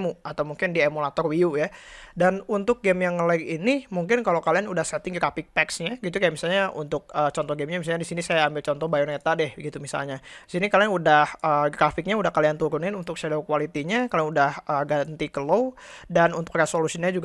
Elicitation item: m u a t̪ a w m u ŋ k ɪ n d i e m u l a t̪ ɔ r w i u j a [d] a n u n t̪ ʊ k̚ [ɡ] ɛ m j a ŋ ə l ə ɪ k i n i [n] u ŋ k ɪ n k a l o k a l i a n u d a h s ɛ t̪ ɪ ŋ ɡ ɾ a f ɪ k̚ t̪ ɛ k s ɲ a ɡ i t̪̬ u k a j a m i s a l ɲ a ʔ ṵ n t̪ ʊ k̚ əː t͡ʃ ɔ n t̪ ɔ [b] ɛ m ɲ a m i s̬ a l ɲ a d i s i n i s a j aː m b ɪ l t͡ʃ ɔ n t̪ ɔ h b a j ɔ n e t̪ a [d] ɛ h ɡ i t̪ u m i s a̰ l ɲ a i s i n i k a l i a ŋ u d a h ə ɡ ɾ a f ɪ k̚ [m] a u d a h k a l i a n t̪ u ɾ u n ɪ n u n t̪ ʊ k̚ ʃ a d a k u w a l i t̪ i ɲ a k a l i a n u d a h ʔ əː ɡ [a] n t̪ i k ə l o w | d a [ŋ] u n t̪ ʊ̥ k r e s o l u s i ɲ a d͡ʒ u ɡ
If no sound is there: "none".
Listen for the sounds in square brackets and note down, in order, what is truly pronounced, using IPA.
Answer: d, ɡ, m, ɡ, d, ɲ, a, n

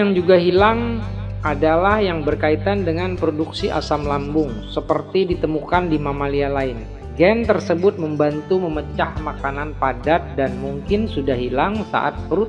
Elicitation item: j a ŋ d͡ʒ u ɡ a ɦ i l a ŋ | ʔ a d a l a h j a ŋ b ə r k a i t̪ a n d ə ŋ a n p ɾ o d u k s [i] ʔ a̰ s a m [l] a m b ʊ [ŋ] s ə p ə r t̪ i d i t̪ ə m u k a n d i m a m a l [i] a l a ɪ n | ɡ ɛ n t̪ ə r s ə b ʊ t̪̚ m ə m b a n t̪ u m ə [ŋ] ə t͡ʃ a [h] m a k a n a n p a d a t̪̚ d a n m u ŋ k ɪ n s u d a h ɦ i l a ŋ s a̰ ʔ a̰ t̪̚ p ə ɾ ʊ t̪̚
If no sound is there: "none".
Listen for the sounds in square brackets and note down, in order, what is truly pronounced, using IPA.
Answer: i, l, ŋ, i, m, h

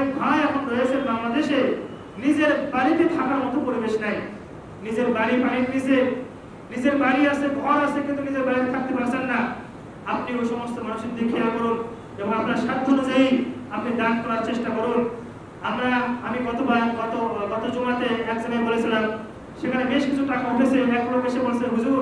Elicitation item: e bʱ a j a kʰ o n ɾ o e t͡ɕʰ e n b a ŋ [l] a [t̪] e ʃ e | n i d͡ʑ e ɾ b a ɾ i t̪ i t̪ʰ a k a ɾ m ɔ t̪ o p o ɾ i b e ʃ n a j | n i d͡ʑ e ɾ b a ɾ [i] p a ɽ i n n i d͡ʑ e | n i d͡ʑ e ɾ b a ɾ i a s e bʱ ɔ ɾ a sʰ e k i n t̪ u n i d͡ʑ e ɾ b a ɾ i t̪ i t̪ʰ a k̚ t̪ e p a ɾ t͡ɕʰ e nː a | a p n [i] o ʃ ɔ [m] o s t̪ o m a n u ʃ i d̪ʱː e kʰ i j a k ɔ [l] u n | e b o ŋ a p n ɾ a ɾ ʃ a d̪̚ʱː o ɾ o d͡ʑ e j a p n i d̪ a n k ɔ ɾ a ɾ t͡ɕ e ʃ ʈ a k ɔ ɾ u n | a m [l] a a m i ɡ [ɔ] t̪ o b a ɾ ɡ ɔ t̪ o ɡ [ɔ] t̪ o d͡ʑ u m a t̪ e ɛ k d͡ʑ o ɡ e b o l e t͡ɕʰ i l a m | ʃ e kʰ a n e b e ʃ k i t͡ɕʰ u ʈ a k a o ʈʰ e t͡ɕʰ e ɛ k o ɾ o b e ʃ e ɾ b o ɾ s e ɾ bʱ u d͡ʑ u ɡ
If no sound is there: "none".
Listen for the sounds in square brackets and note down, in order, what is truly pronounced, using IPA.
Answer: l, d̪, i, i, m, ɾ, ɾ, ɔ, ɔ

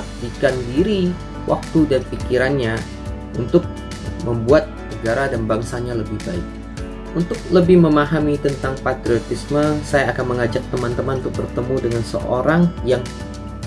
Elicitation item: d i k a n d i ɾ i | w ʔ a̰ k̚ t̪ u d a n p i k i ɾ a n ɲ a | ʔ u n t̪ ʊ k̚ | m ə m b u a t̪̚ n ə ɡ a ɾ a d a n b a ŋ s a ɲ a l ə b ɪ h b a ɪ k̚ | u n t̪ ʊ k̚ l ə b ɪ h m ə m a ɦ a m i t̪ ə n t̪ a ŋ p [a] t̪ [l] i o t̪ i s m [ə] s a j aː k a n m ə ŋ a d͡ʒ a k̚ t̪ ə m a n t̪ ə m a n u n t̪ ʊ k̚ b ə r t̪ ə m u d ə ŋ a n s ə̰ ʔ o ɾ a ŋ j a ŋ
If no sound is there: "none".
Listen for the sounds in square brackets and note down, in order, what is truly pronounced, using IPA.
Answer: a, ɾ, ə

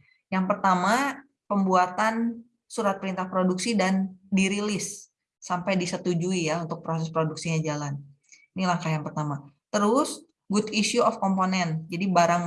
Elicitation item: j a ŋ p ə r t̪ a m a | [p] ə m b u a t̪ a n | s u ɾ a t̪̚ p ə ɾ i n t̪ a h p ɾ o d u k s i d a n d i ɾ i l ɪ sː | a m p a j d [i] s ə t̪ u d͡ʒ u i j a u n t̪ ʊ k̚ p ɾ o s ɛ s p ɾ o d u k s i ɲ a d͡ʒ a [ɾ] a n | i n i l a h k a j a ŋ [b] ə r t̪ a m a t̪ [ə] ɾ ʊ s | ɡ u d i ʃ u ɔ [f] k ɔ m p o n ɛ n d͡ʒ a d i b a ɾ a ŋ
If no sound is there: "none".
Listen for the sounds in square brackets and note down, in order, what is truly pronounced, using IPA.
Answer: p, i, l, p, ə, f

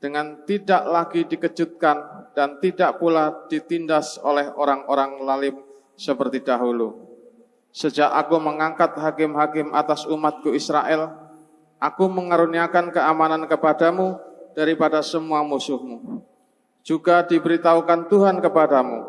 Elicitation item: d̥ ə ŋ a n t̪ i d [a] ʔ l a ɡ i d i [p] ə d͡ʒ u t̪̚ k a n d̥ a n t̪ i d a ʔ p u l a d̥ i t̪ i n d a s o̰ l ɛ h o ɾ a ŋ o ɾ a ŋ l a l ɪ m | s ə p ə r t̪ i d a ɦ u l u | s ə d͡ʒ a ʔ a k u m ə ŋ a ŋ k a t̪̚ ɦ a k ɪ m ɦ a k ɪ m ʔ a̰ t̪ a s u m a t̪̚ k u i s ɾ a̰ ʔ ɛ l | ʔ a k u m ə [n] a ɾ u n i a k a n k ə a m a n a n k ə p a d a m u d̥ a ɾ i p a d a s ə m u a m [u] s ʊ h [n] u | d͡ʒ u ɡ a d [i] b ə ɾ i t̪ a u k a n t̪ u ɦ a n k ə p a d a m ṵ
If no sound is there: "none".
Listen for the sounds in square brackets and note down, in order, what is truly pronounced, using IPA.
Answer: a, k, ŋ, u, m, i

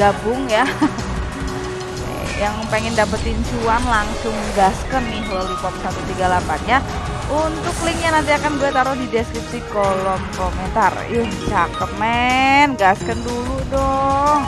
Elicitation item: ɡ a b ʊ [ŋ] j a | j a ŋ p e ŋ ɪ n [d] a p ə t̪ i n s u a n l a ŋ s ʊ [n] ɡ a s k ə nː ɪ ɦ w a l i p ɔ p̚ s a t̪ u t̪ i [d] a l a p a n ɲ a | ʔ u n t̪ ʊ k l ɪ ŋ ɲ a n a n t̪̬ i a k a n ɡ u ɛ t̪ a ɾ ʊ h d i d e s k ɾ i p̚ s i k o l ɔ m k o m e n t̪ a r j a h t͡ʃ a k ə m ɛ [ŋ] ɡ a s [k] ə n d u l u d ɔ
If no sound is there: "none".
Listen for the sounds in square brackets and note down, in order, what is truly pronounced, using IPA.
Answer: ŋ, d, ŋ, ɡ, n, k

